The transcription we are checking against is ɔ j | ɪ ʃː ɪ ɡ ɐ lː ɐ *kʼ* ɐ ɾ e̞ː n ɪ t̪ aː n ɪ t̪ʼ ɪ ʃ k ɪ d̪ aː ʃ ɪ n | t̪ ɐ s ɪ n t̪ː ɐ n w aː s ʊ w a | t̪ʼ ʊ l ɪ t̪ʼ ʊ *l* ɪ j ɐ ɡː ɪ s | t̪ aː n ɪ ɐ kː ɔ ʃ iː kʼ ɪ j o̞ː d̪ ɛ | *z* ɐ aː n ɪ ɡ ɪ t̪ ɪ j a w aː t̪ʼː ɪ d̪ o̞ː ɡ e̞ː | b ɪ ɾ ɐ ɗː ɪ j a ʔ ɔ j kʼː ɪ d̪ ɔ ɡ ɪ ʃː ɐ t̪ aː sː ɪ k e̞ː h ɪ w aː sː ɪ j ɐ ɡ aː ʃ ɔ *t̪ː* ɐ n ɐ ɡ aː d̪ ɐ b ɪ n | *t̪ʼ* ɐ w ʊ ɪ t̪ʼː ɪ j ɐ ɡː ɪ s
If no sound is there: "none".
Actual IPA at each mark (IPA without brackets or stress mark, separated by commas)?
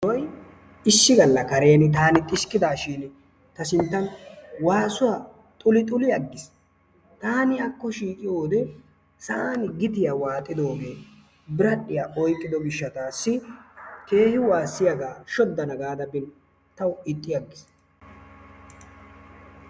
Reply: k, l, s, d̪ː, t̪